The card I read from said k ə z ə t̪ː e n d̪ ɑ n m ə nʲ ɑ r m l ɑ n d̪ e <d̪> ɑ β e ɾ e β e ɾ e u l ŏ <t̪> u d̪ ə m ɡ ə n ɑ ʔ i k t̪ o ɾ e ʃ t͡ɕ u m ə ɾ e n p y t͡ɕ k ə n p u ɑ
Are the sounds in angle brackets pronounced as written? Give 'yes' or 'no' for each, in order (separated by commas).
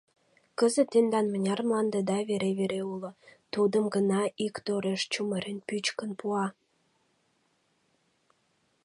yes, yes